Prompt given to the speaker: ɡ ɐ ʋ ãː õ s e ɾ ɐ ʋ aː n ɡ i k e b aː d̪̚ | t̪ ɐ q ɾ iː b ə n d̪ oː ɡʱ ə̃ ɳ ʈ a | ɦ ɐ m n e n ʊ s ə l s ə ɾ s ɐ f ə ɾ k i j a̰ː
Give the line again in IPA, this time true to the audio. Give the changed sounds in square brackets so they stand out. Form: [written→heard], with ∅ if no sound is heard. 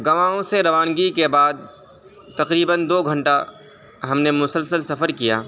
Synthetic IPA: ɡ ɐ ʋ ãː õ s e ɾ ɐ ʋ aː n ɡ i k e b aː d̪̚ | t̪ ɐ q ɾ iː b ə n d̪ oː ɡʱ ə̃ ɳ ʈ a | ɦ ɐ m n e [n→m] ʊ s ə l s ə [ɾ→l] s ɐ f ə ɾ k i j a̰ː